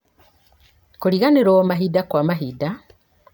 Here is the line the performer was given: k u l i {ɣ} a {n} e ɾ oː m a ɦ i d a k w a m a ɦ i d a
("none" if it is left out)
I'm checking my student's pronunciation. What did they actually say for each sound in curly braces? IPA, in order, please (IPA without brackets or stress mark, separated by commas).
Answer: ɣ, n